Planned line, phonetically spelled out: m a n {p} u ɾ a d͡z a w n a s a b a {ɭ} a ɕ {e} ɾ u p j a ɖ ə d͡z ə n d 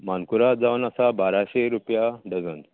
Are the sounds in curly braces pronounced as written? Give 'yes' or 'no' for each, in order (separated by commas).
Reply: no, no, yes